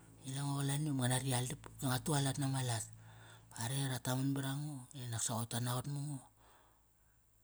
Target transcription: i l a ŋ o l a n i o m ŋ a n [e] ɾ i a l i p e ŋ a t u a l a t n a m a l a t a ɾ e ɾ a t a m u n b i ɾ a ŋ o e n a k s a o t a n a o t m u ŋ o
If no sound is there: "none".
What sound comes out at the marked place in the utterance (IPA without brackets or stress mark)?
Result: a